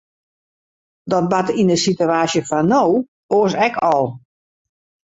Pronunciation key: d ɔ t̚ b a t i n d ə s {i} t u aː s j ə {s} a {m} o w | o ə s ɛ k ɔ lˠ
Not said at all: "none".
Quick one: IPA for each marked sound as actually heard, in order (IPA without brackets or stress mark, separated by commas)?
i, f, n